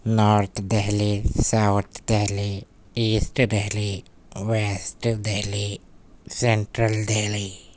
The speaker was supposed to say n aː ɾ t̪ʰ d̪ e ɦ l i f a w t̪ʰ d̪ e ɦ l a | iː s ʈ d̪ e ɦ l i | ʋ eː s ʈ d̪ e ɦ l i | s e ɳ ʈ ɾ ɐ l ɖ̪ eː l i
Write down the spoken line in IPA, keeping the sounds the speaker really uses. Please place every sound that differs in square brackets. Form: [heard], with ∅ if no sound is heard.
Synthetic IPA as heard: n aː ɾ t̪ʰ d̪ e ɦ l i [s] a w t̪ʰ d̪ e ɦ l [i] | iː s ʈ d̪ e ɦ l i | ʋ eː s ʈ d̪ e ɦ l i | s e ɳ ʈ ɾ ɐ l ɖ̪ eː l i

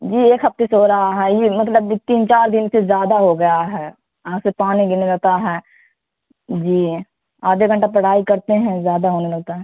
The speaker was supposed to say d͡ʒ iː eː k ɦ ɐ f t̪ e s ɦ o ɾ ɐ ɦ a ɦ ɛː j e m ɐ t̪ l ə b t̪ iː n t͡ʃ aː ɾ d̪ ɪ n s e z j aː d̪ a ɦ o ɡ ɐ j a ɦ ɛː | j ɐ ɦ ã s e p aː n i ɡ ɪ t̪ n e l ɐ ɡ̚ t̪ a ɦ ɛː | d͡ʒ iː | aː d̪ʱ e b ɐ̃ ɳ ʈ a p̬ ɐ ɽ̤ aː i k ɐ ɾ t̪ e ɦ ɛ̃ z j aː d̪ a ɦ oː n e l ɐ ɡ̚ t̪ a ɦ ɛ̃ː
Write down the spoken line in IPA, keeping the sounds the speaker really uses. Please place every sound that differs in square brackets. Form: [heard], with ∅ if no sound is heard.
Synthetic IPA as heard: d͡ʒ iː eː k ɦ ɐ f t̪ e s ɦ o ɾ ɐ ɦ a ɦ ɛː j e m ɐ t̪ l ə b t̪ iː n t͡ʃ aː ɾ d̪ ɪ n s e z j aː d̪ a ɦ o ɡ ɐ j a ɦ ɛː | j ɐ ɦ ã s e p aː n i ɡ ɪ [∅] n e l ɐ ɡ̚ t̪ a ɦ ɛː | d͡ʒ iː | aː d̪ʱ e [ɡ] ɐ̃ ɳ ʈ a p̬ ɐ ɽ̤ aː i k ɐ ɾ t̪ e ɦ ɛ̃ z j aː d̪ a ɦ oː n e l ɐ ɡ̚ t̪ a ɦ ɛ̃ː

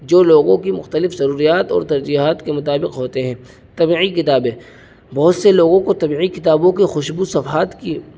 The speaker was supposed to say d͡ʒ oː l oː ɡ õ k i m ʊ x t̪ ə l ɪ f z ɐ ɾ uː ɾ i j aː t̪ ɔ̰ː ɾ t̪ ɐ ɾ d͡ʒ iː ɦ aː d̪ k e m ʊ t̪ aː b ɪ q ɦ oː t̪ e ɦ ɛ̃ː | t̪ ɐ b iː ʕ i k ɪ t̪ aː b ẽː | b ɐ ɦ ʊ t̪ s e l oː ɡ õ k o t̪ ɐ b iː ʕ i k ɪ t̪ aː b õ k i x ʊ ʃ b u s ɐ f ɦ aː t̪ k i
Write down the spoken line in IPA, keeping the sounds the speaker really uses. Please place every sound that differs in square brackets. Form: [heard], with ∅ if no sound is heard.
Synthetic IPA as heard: d͡ʒ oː l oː ɡ õ k i m ʊ x t̪ ə l ɪ f z ɐ ɾ uː ɾ i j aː t̪ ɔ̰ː ɾ t̪ ɐ ɾ d͡ʒ iː ɦ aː [t̪] k e m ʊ t̪ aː b ɪ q ɦ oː t̪ e ɦ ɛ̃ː | t̪ ɐ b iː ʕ i k ɪ t̪ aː b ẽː | b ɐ ɦ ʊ t̪ s e l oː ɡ õ k o t̪ ɐ b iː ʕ i k ɪ t̪ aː b õ k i x ʊ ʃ b u s ɐ f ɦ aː t̪ k i

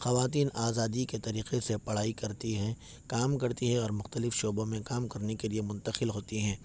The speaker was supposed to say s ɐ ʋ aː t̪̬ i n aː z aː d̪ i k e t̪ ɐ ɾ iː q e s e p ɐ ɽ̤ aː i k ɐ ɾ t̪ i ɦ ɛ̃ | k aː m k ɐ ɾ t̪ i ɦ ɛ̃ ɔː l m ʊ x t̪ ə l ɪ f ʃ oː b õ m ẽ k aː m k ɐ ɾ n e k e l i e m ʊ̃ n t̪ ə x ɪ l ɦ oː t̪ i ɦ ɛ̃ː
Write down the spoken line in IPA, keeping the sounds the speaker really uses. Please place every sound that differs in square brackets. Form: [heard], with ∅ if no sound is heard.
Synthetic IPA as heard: [x] ɐ ʋ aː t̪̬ [iː] n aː z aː d̪ i k e t̪ ɐ ɾ iː q e s e p ɐ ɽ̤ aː i k ɐ ɾ t̪ i ɦ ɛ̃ | k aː m k ɐ ɾ t̪ i ɦ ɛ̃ ɔː [ɾ] m ʊ x t̪ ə l ɪ f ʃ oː b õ m ẽ k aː m k ɐ ɾ n e k e l i e m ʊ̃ n t̪ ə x ɪ l ɦ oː t̪ i ɦ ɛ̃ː

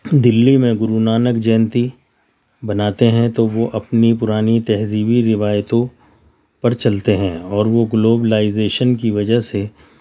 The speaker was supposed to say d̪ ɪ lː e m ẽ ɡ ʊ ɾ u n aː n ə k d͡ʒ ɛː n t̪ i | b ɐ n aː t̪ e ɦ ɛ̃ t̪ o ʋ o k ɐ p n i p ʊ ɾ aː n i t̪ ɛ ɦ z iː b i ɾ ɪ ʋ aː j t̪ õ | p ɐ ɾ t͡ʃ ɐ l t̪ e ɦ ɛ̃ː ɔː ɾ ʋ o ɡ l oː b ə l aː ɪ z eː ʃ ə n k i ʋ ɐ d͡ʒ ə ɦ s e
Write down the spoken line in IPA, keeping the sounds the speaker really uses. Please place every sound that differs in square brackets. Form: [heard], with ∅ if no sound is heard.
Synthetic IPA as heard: d̪ ɪ lː [i] m ẽ ɡ ʊ ɾ u n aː n ə k d͡ʒ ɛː n t̪ i | b ɐ n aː t̪ e ɦ ɛ̃ t̪ o ʋ o [ʔ] ɐ p n i p ʊ ɾ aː n i t̪ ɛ ɦ z iː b i ɾ ɪ ʋ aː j t̪ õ | p ɐ ɾ t͡ʃ ɐ l t̪ e ɦ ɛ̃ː ɔː ɾ ʋ o ɡ l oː b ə l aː ɪ z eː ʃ ə n k i ʋ ɐ d͡ʒ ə ɦ s e

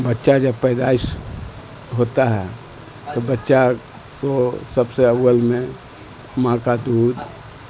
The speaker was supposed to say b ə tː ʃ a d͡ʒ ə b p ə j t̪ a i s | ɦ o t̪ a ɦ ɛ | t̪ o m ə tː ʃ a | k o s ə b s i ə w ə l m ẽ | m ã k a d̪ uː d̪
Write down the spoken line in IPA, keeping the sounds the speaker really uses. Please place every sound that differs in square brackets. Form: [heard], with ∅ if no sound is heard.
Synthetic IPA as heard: b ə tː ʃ a d͡ʒ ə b p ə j [d̪] a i s | ɦ o t̪ a ɦ ɛ | t̪ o [b] ə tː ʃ a | k o s ə b s [e] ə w ə l m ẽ | m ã k a d̪ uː d̪

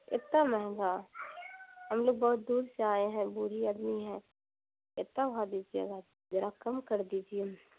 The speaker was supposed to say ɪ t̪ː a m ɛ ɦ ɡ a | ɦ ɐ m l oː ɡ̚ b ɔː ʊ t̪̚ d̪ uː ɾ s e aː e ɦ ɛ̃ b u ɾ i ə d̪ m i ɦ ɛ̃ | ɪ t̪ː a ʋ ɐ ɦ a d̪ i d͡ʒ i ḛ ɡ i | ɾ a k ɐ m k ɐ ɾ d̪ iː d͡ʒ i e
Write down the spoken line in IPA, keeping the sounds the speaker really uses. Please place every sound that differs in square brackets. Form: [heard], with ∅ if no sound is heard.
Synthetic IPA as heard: ɪ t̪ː a m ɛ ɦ ɡ a | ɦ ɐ m l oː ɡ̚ b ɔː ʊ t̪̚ d̪ uː ɾ s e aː e ɦ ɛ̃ b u ɾ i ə d̪ m i ɦ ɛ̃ | ɪ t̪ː a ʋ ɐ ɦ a d̪ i d͡ʒ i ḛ ɡ [a] | ɾ a k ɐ m k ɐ ɾ d̪ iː d͡ʒ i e

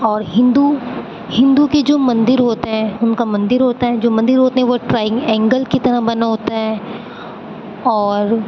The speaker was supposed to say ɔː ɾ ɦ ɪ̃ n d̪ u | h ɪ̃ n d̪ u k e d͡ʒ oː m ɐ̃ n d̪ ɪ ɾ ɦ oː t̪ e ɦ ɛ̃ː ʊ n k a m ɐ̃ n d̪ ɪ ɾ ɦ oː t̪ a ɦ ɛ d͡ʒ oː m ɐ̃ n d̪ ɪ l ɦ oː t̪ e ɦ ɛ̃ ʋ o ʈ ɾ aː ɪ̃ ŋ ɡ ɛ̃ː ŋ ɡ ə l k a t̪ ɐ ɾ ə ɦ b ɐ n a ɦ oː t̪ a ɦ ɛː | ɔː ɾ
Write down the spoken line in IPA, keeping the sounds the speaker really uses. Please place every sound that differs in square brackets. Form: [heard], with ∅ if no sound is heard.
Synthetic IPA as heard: ɔː ɾ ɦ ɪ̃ n d̪ u | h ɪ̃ n d̪ u k e d͡ʒ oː m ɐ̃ n d̪ ɪ ɾ ɦ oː t̪ e ɦ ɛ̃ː ʊ n k a m ɐ̃ n d̪ ɪ ɾ ɦ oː t̪ a ɦ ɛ d͡ʒ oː m ɐ̃ n d̪ ɪ [ɾ] ɦ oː t̪ e ɦ ɛ̃ ʋ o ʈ ɾ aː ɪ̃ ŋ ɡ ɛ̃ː ŋ ɡ ə l k [i] t̪ ɐ ɾ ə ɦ b ɐ n a ɦ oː t̪ a ɦ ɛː | ɔː ɾ

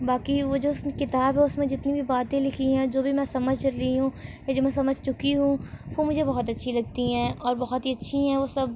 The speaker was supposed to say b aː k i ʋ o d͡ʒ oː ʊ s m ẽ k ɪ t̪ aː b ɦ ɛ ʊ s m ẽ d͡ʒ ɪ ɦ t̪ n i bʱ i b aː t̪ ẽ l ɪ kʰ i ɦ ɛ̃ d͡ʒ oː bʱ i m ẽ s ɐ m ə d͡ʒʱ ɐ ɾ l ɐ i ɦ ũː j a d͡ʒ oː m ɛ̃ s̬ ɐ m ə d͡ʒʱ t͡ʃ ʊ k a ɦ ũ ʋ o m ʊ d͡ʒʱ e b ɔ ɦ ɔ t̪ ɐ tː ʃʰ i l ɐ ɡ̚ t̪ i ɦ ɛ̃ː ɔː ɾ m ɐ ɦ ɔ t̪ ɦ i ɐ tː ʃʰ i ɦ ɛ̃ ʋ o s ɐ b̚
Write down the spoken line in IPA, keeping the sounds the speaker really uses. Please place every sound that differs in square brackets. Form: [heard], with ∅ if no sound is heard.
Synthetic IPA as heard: b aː k i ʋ o d͡ʒ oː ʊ s m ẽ k ɪ t̪ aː b ɦ ɛ ʊ s m ẽ d͡ʒ ɪ [∅] t̪ n i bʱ i b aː t̪ ẽ l ɪ kʰ i ɦ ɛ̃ d͡ʒ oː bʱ i m [ɛ̃] s ɐ m ə d͡ʒʱ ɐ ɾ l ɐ i ɦ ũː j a d͡ʒ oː m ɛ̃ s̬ ɐ m ə d͡ʒʱ t͡ʃ ʊ k [i] ɦ ũ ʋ o m ʊ d͡ʒʱ e b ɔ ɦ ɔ t̪ ɐ tː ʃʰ i l ɐ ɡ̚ t̪ i ɦ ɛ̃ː ɔː ɾ [b] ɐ ɦ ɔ t̪ ɦ i ɐ tː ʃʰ i ɦ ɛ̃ ʋ o s ɐ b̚

